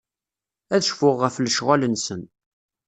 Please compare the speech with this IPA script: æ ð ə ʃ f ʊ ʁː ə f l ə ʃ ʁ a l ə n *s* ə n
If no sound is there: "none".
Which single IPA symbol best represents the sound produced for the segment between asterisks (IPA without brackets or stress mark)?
s